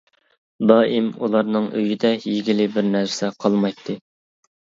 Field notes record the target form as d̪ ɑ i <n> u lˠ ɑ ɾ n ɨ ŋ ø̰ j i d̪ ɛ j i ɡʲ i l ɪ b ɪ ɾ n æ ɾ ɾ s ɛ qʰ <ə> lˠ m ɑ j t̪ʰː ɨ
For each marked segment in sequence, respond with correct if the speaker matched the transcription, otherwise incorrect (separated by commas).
incorrect, incorrect